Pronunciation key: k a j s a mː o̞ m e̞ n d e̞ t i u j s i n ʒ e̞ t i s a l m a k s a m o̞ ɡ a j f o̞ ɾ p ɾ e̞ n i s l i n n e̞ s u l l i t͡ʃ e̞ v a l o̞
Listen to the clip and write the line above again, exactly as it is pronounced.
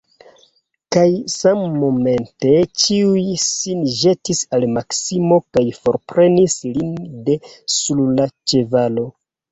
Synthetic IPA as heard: k a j s a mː o̞ m e̞ n t e̞ t͡ʃ i u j s i n ʒ e̞ t i s a l m a k s i m o̞ k a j f o̞ ɾ p ɾ e̞ n i s l i n d e̞ s u l l a t͡ʃ e̞ v a l o̞